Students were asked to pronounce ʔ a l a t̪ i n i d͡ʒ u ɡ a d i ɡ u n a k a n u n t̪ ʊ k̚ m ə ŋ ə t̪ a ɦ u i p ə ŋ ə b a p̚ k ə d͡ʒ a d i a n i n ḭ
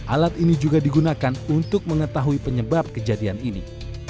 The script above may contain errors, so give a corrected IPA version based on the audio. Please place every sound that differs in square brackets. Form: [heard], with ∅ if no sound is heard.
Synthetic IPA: ʔ a l a t̪ i n i d͡ʒ u ɡ a d i ɡ u n a k a n u n t̪ ʊ k̚ m ə ŋ ə t̪ a ɦ u i p ə [ɲ] ə b a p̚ k ə d͡ʒ a d i a n i n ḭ